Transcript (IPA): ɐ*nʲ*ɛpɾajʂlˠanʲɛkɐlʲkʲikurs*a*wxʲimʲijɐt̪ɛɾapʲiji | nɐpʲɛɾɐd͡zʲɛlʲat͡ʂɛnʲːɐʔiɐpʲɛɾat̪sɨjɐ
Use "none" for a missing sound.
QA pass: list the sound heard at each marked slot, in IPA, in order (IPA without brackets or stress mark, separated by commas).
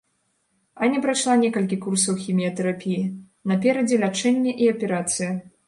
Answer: nʲ, ɐ